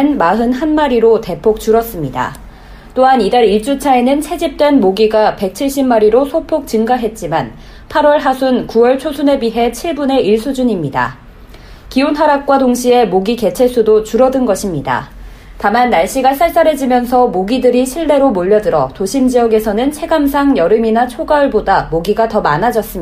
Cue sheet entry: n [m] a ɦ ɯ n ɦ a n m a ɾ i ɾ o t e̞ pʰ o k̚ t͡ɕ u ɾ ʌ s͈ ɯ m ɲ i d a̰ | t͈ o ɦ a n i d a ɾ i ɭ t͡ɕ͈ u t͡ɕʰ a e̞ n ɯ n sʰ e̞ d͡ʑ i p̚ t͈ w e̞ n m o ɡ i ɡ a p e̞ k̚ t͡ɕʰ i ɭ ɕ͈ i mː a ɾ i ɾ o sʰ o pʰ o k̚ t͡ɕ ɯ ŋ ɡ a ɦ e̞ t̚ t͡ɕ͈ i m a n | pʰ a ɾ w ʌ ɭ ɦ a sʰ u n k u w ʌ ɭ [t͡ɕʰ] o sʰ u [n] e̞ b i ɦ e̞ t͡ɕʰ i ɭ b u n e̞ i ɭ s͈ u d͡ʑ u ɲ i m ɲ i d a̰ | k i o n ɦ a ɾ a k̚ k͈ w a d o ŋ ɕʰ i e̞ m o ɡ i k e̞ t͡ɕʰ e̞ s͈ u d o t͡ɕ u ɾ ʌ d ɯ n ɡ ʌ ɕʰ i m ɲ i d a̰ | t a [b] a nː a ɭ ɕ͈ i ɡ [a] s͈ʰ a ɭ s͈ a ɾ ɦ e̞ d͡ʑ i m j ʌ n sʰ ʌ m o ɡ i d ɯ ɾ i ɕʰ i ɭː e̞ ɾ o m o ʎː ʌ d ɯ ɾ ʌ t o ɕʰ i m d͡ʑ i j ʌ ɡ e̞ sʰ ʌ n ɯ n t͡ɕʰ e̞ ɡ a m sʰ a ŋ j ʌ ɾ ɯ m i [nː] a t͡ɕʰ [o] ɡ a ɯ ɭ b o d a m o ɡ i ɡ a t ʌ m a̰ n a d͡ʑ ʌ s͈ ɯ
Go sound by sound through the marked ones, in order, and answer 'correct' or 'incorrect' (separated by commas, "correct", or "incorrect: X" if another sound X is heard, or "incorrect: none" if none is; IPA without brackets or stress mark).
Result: correct, correct, correct, incorrect: m, correct, incorrect: n, correct